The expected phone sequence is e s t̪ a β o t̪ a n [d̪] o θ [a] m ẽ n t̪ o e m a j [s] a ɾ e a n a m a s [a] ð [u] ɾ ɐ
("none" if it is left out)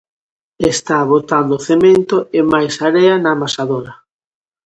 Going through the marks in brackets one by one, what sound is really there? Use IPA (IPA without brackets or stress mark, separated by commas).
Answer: d̪, e, s, a, o